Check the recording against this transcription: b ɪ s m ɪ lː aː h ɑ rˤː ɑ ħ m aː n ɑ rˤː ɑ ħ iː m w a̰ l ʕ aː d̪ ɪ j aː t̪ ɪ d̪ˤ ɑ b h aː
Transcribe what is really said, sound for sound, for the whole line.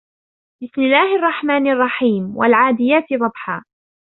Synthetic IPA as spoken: b ɪ s m ɪ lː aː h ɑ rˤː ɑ ħ m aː n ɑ rˤː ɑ ħ iː m w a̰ l ʕ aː d̪ ɪ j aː t̪ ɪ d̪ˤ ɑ b ħ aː